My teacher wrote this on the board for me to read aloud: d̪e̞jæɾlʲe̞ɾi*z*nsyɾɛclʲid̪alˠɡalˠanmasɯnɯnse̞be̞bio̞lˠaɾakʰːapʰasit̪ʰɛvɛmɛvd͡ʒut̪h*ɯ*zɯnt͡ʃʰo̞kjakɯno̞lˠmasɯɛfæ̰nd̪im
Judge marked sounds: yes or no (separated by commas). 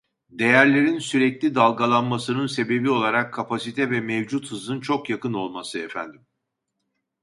no, yes